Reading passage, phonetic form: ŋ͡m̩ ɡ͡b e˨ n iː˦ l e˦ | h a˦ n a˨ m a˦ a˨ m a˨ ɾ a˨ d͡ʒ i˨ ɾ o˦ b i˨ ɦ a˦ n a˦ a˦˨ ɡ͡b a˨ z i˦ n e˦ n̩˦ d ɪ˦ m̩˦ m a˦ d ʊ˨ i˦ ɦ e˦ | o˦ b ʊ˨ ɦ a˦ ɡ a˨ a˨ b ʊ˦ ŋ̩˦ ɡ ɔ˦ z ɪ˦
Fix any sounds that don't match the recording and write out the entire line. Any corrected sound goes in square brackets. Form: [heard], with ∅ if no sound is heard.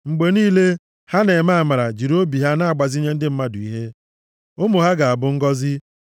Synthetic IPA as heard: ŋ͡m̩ ɡ͡b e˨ n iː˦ l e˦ | h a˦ n [e˨] m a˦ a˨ m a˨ ɾ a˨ d͡ʒ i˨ ɾ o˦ b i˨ ɦ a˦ n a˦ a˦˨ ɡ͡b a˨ z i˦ [ɲ] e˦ n̩˦ d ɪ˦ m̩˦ m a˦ d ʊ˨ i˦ ɦ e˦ | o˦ [m] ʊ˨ ɦ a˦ ɡ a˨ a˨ b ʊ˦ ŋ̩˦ ɡ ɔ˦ z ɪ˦